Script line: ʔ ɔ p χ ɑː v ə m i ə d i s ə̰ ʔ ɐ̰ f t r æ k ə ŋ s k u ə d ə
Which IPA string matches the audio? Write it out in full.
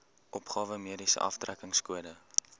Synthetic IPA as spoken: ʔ ɔ p χ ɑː v ə m i ə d i s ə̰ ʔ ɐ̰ f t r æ k ə ŋ s k u ə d ə